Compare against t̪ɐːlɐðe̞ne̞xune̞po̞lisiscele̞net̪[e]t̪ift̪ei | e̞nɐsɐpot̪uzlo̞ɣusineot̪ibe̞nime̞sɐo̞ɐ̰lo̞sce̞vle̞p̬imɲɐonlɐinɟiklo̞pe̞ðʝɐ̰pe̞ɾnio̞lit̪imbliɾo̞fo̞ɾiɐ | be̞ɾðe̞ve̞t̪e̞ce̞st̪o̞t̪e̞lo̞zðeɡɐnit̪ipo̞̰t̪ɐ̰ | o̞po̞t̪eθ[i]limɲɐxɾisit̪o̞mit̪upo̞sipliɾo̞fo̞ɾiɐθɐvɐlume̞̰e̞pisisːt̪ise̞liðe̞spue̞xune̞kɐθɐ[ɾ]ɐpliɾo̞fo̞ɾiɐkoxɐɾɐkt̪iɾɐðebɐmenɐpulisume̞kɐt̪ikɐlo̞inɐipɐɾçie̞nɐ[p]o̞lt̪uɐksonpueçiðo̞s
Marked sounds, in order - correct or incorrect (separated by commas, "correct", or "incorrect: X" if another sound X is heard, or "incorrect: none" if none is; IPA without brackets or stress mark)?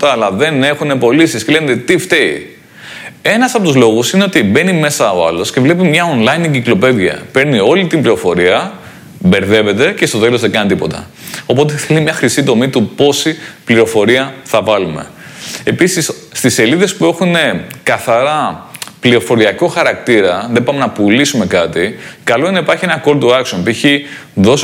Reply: correct, incorrect: e, correct, incorrect: k